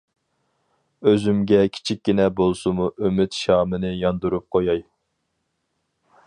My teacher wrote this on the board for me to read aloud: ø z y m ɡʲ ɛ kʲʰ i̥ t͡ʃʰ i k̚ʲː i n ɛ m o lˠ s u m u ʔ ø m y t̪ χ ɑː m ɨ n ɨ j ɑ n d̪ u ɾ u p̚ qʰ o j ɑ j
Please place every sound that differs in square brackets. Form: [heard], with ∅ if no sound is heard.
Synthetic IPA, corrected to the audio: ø z y m ɡʲ ɛ kʲʰ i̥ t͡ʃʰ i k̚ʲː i n ɛ [b] o lˠ s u m u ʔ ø m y t̪ [ʃ] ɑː m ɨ n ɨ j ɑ n d̪ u ɾ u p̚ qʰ o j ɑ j